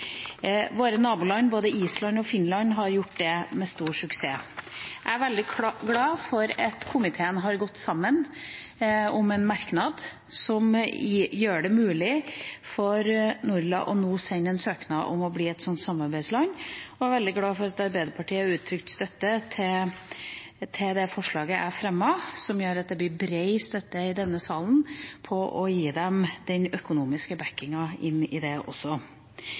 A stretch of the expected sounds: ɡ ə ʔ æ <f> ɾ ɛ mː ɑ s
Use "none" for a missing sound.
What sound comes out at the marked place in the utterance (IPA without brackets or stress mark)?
f